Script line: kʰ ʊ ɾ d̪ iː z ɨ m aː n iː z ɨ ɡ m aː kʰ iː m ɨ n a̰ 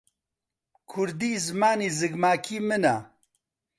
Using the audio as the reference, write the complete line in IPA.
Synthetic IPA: kʰ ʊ ɾ d̪ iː z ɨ m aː n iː z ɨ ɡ m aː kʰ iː m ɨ n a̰